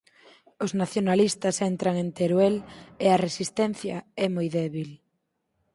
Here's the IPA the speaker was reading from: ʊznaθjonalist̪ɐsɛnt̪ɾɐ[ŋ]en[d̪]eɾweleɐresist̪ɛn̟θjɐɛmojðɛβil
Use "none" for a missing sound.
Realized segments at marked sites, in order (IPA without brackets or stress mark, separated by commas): ŋ, t̪